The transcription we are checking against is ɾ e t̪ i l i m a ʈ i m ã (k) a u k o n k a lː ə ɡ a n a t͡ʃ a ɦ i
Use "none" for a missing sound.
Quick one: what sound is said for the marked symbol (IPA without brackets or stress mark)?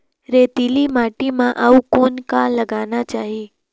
ʔ